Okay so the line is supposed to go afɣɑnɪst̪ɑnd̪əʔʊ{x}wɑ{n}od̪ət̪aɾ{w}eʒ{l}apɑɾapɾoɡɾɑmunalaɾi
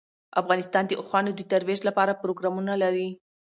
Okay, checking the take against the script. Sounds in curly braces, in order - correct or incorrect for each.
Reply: correct, correct, correct, correct

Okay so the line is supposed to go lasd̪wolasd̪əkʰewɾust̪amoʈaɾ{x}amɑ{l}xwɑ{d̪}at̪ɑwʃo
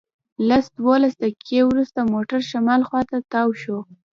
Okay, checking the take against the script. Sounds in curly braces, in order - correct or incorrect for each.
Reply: incorrect, correct, incorrect

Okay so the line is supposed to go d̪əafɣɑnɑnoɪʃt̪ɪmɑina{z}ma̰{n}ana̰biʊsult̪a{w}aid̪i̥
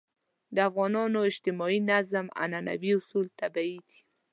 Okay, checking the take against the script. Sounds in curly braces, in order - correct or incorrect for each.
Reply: correct, correct, incorrect

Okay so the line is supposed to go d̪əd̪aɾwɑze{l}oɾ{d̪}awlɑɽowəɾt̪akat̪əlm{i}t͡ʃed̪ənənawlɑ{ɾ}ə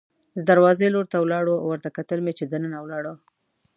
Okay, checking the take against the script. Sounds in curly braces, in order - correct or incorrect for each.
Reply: correct, incorrect, incorrect, incorrect

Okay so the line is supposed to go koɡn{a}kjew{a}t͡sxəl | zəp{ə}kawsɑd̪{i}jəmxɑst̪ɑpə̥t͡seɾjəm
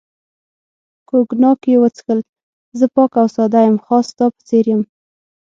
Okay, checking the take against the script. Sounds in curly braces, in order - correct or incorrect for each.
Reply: incorrect, incorrect, incorrect, incorrect

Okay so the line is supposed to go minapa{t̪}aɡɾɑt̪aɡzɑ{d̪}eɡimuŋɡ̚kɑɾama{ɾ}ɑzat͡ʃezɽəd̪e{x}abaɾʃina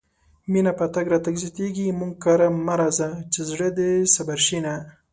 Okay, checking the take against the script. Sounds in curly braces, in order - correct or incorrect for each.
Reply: correct, incorrect, correct, incorrect

